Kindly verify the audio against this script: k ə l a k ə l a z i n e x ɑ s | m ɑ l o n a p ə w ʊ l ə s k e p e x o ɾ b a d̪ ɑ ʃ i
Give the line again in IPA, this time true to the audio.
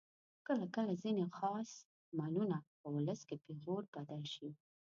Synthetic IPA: k ə l a k ə l a z i n e x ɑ s | m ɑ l u n a p ə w ʊ l ə s k e p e ɣ o ɾ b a d̪ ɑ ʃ i